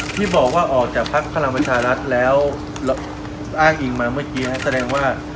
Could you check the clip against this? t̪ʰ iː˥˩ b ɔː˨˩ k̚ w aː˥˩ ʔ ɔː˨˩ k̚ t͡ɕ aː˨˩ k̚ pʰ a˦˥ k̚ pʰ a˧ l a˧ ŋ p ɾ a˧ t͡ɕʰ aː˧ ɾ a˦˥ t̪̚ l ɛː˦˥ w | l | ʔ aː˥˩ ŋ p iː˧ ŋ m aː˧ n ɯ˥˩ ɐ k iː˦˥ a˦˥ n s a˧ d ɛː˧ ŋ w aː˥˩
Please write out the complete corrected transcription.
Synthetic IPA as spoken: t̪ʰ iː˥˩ b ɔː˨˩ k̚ w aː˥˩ ʔ ɔː˨˩ k̚ t͡ɕ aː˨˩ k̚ pʰ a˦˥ k̚ pʰ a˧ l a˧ ŋ p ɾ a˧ t͡ɕʰ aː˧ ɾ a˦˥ t̪̚ l ɛː˦˥ w | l | ʔ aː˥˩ ŋ ʔ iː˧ ŋ m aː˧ m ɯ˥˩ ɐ k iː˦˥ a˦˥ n s a˧ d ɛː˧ ŋ w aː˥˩